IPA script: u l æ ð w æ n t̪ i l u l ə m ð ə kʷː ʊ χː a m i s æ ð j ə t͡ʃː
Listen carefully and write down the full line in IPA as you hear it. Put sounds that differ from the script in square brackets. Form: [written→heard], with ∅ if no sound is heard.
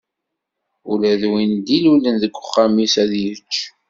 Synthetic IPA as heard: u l æ ð w [æ→i] n [t̪→d̪] i l u l ə [m→n] ð ə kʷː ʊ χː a m i s æ ð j ə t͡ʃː